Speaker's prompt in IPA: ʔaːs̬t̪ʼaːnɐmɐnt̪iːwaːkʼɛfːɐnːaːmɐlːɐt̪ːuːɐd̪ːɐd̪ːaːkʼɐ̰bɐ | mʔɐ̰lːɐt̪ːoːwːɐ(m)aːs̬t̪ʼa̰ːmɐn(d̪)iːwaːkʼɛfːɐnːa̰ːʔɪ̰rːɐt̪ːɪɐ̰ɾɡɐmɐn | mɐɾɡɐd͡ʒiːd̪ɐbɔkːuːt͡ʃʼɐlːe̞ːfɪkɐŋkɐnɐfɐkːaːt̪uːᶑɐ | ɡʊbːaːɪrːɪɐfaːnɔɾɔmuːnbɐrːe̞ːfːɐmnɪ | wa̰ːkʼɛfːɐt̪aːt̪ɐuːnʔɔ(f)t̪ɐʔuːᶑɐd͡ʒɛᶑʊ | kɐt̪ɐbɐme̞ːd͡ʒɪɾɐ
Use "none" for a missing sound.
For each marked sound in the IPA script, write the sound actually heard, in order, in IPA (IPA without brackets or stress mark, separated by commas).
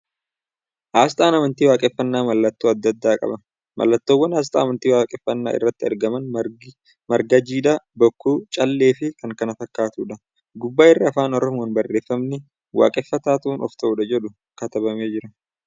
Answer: n, t̪, f